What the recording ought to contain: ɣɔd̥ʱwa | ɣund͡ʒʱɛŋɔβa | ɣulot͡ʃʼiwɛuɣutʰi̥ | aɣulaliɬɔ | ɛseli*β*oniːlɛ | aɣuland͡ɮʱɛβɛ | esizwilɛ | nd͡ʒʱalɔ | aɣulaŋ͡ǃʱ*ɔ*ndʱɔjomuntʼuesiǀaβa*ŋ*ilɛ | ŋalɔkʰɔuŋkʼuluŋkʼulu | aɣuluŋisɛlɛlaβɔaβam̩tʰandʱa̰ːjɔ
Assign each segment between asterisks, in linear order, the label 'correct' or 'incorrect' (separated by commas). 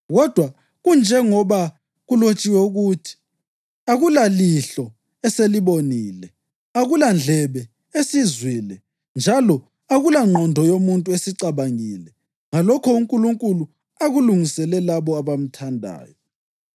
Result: correct, correct, correct